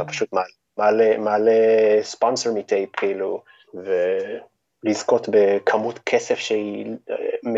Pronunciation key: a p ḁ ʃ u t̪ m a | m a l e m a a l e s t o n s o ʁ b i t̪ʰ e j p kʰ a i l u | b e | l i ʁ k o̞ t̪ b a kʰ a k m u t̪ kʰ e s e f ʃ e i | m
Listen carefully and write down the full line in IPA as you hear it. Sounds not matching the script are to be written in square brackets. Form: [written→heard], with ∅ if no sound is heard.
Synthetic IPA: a p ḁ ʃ u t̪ m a | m a l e m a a l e s [t→p] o n s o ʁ [b→m] i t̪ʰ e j p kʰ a i l u | [b→v] e | l i [ʁ→z] k o̞ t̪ b [a→e] kʰ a [k→∅] m u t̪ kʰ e s e f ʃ e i | m